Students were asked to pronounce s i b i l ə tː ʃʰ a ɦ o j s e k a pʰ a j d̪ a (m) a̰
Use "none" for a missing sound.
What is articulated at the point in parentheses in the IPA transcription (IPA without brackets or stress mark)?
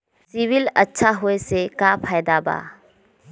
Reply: b